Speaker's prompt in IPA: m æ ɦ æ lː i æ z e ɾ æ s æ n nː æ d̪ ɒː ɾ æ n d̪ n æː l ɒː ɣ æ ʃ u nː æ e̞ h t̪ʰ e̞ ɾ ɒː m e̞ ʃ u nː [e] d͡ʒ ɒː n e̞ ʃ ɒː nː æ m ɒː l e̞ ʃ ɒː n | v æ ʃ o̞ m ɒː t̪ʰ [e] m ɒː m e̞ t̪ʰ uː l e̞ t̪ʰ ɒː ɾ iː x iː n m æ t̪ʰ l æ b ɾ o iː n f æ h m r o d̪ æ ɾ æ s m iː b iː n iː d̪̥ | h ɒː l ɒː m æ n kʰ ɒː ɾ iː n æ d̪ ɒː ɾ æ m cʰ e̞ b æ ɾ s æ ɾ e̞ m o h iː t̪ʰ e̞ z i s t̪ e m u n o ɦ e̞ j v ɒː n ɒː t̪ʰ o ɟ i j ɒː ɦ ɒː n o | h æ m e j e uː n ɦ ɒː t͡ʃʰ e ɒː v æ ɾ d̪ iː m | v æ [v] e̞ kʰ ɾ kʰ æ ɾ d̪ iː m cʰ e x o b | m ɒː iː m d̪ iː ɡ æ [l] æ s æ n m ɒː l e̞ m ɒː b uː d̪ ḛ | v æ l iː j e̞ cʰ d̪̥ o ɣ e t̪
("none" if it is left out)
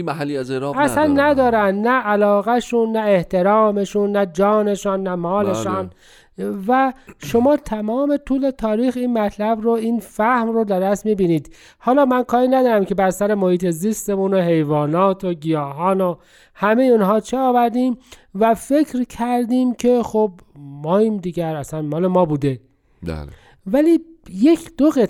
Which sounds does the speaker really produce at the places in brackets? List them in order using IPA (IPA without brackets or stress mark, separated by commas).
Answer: æ, æ, f, ɾ